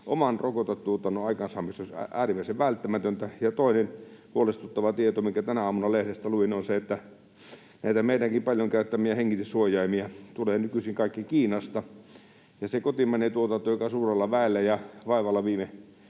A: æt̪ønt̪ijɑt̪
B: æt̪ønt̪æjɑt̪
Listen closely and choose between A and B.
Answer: B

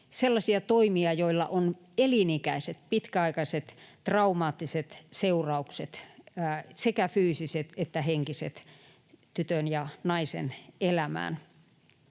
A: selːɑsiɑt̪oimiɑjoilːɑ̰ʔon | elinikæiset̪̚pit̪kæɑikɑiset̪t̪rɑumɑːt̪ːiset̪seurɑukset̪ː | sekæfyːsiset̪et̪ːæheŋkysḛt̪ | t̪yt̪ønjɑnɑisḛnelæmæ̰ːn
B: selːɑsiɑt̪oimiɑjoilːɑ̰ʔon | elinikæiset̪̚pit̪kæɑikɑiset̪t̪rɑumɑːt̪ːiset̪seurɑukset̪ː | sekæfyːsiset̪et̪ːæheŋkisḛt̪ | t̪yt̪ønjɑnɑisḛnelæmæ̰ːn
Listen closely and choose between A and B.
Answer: B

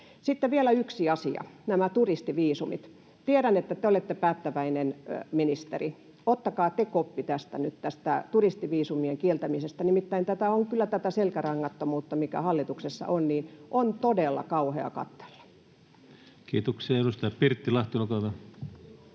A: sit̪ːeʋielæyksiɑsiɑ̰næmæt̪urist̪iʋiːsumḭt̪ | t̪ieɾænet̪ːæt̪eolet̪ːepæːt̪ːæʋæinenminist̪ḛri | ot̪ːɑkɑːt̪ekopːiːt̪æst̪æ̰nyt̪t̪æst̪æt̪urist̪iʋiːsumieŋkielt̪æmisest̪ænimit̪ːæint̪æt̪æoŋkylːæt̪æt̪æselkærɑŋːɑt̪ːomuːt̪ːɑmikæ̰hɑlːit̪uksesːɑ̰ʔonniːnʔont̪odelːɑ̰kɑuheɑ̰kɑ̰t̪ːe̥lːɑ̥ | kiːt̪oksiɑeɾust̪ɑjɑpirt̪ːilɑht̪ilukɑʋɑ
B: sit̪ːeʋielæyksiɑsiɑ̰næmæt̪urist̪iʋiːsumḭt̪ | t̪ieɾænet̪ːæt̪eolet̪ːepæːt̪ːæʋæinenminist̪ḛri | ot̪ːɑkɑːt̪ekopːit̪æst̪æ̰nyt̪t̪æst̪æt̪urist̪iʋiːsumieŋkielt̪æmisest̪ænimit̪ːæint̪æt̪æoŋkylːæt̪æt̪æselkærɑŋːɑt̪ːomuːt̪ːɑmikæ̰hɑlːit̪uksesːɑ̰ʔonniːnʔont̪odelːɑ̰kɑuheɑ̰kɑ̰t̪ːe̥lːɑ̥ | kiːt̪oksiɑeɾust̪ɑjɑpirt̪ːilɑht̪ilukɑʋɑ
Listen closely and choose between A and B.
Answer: B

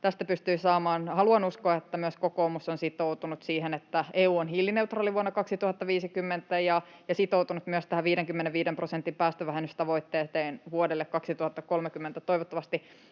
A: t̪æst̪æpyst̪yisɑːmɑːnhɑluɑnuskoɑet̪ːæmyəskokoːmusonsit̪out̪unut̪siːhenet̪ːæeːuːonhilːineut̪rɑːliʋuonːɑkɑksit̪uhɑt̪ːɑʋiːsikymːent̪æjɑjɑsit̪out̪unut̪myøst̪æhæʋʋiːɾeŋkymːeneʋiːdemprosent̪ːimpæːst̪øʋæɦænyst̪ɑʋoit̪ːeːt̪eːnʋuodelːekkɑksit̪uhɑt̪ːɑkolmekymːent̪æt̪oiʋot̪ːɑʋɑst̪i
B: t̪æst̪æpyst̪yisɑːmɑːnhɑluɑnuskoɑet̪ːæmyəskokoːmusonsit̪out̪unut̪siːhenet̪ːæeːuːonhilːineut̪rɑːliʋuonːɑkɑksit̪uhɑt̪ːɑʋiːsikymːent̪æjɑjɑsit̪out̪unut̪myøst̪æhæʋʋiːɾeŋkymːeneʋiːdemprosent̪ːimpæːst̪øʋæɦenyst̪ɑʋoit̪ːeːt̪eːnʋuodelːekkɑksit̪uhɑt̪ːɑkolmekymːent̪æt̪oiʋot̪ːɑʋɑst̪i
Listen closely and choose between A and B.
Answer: B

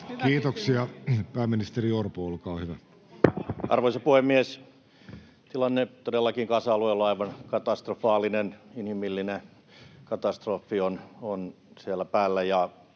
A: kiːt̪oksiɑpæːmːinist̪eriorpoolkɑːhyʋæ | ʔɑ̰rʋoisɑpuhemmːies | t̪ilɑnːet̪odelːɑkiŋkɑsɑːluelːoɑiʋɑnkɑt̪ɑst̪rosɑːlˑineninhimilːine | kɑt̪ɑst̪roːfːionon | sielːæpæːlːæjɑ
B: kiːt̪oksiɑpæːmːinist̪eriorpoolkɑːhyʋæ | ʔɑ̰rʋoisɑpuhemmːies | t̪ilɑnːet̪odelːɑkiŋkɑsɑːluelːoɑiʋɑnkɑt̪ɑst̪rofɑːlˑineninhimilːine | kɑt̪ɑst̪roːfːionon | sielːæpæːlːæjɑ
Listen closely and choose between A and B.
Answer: B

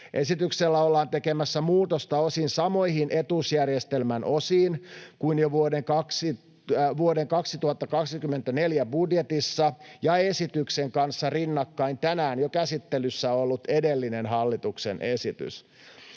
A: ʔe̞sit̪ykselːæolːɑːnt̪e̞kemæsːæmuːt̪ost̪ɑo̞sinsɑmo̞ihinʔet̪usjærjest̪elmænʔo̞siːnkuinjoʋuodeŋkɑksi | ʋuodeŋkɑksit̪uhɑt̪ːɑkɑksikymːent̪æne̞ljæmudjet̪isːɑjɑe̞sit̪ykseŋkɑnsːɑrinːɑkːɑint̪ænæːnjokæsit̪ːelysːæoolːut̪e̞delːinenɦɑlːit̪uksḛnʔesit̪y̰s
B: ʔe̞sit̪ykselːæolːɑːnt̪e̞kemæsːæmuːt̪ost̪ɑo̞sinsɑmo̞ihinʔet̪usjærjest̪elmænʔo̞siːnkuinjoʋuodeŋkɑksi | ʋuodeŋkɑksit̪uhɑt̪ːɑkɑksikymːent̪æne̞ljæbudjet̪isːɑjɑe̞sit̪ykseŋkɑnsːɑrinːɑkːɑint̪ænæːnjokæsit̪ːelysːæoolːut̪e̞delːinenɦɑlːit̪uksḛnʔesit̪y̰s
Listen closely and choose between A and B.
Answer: B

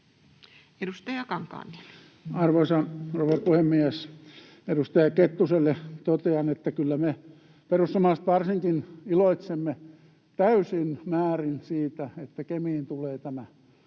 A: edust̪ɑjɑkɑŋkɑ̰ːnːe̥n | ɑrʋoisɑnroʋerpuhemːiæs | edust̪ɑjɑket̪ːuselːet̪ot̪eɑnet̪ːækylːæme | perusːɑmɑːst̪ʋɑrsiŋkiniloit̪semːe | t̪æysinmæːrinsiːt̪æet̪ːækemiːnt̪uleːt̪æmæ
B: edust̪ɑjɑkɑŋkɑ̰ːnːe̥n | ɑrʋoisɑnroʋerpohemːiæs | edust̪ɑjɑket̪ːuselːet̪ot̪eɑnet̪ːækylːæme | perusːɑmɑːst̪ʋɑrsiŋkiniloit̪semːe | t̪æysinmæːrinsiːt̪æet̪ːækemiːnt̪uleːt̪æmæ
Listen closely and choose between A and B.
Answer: A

